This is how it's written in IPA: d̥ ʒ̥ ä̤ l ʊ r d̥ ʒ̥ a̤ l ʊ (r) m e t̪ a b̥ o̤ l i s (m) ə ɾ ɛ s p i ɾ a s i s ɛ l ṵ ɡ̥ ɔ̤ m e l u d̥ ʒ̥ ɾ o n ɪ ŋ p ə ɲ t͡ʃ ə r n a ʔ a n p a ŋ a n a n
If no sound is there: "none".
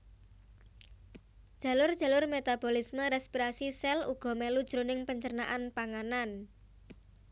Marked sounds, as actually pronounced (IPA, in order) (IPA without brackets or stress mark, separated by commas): r, m